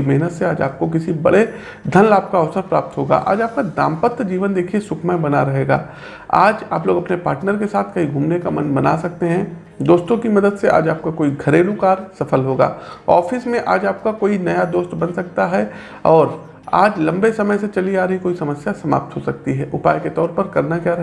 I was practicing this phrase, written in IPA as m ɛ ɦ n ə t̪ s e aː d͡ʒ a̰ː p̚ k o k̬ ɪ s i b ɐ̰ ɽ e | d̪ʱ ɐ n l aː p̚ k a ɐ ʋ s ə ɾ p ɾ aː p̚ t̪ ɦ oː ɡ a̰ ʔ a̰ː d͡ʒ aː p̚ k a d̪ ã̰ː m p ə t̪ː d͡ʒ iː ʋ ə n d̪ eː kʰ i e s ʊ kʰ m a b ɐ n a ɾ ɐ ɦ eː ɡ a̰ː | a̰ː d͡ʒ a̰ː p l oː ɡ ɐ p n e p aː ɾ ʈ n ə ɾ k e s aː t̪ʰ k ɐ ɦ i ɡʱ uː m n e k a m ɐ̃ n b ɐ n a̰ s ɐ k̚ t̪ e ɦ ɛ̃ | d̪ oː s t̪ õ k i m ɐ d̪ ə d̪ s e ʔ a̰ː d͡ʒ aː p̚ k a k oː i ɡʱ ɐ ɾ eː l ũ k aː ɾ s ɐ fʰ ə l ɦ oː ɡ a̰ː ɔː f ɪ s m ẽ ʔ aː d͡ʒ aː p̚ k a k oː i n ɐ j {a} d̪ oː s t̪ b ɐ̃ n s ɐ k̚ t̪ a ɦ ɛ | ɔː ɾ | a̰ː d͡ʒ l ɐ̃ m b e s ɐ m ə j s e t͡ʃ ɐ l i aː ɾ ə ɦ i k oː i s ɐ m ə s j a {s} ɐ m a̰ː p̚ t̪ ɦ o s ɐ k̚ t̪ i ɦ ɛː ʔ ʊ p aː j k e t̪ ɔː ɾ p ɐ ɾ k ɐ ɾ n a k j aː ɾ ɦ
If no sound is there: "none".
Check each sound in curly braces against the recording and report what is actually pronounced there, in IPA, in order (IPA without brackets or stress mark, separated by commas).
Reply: a, s